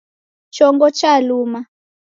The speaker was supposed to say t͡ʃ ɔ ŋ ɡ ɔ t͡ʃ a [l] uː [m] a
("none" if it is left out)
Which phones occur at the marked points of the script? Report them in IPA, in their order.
l, m

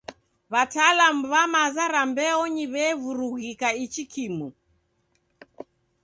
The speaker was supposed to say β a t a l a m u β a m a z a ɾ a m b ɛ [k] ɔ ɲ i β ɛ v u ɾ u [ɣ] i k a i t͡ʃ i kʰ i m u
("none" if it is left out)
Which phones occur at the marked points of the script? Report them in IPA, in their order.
none, ɣ

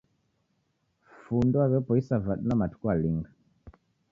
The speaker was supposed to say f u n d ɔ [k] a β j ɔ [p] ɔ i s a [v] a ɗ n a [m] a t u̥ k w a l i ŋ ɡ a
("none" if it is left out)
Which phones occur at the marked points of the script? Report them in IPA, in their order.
none, p, v, m

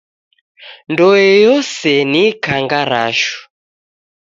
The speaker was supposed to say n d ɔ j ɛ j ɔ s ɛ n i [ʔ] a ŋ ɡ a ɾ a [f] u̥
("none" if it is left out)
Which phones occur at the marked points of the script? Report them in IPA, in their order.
k, ʃ

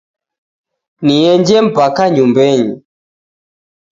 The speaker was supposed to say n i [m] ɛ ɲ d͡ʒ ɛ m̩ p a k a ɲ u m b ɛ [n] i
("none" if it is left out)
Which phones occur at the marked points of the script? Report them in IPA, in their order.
none, ɲ

